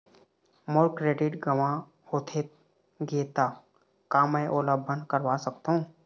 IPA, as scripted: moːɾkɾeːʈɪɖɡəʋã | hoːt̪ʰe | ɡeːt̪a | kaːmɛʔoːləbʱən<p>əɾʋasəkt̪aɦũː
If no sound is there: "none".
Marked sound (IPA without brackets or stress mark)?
k